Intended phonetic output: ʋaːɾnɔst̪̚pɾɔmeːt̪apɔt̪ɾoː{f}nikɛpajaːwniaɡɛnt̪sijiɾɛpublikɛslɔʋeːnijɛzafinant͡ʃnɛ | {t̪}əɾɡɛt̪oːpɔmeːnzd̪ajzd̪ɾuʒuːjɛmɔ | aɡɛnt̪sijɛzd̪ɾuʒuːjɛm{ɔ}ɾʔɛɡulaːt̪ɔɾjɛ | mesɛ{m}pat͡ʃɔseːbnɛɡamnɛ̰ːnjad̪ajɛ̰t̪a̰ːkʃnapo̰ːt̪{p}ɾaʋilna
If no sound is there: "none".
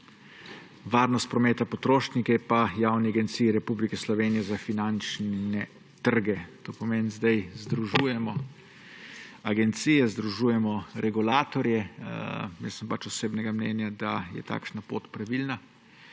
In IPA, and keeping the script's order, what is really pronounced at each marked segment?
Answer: ʃ, t̪, ɔ, m, p

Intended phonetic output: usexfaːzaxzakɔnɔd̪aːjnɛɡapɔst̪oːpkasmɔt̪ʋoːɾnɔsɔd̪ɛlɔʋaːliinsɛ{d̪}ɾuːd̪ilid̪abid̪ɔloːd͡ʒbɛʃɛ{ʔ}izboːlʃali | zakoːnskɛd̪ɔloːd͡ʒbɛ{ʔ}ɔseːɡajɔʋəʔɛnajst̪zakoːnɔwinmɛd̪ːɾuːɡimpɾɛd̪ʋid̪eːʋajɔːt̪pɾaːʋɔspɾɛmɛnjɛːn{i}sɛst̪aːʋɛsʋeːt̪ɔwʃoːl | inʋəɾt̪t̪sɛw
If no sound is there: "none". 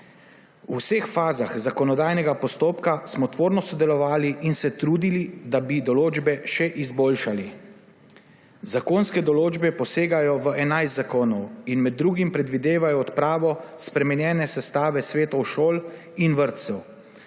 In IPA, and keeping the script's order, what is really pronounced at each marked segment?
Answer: t̪, ʔ, p, ɛ

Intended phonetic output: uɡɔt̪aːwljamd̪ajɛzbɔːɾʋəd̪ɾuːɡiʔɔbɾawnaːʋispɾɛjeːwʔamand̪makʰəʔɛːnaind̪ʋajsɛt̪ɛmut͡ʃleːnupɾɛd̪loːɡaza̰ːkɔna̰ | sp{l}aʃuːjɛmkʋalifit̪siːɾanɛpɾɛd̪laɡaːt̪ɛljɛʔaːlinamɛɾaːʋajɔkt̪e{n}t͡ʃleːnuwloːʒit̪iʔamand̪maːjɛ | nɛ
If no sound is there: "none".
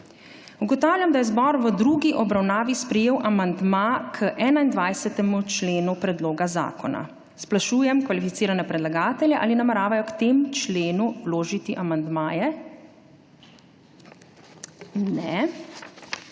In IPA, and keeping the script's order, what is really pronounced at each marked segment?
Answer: l, m

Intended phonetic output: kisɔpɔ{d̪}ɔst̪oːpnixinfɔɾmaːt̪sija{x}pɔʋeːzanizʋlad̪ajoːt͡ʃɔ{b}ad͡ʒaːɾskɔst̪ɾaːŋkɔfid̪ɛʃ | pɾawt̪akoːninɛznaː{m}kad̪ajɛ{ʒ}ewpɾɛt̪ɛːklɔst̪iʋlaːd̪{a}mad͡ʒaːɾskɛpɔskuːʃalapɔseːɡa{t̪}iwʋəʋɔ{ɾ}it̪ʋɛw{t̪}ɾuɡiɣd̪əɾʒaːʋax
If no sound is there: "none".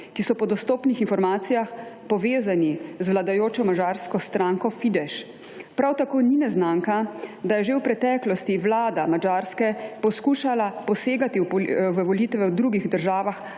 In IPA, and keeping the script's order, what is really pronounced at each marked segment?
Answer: d̪, x, m, ŋ, ʒ, a, t̪, l, d̪

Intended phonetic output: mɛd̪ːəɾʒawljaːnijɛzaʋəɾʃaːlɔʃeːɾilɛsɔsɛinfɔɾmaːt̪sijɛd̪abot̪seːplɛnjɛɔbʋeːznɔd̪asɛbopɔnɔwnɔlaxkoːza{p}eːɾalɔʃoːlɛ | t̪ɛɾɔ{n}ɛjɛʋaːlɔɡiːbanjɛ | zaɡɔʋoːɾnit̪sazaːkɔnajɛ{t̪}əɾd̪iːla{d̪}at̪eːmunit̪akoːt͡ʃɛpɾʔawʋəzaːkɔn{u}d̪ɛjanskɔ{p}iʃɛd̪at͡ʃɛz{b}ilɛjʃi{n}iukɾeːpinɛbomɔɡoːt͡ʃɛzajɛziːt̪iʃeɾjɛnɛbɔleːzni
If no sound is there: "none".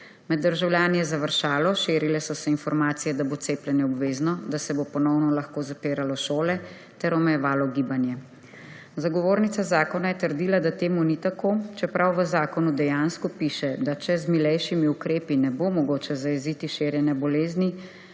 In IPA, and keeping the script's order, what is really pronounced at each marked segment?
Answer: p, m, t̪, d̪, u, p, m, m

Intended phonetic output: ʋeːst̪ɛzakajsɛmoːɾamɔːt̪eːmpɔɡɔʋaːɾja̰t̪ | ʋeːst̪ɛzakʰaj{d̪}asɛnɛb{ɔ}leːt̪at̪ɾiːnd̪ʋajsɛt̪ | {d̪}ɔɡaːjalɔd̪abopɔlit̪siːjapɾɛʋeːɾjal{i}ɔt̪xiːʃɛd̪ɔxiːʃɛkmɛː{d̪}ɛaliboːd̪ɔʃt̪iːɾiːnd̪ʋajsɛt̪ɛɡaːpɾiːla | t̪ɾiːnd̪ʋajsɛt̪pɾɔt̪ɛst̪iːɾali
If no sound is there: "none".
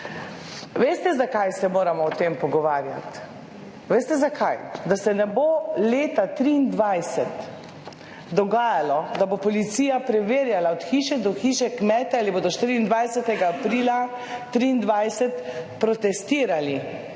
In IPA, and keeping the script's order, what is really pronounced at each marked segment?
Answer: d̪, o, d̪, a, t̪

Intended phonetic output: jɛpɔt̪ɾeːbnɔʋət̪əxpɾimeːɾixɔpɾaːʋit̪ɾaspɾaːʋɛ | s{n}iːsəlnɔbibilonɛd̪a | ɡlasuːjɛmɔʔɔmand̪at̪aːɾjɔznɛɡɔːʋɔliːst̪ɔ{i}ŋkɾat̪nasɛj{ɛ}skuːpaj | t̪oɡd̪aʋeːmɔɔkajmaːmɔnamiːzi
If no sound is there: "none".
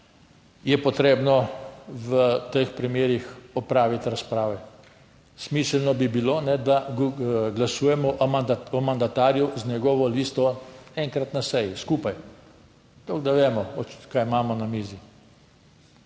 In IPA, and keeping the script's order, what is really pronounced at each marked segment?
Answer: m, ɛ, i

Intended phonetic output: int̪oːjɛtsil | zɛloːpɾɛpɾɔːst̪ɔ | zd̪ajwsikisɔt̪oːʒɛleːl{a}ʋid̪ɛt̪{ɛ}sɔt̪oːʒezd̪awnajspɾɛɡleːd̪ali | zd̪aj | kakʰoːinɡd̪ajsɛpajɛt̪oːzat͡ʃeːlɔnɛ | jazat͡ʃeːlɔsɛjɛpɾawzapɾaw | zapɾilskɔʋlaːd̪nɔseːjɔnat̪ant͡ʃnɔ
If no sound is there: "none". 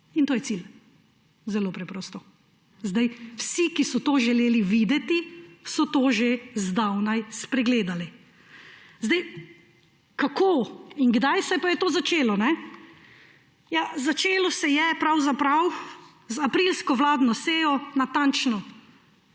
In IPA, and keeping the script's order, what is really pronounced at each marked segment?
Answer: i, i

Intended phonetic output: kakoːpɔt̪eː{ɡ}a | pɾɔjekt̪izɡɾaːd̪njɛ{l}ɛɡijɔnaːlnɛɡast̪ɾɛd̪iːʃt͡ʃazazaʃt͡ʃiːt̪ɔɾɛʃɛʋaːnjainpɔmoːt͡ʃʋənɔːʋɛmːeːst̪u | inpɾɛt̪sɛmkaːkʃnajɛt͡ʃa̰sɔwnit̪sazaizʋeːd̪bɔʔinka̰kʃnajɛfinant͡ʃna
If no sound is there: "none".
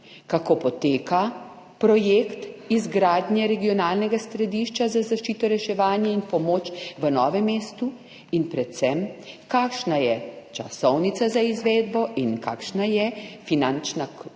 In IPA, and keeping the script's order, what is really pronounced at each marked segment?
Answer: k, ɾ

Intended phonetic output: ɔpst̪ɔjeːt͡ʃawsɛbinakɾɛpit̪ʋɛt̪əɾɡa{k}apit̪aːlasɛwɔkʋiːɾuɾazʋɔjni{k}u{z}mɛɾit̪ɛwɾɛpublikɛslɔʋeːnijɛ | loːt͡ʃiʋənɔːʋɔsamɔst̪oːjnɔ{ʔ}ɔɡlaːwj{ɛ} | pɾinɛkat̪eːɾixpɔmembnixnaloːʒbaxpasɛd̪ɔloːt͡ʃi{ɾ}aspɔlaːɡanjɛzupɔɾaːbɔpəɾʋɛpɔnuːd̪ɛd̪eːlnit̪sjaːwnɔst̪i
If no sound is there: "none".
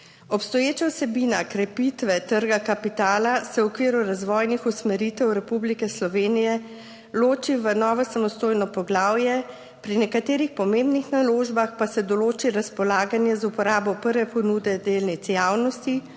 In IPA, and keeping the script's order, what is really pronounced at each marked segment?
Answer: k, x, s, p, ɛ, ɾ

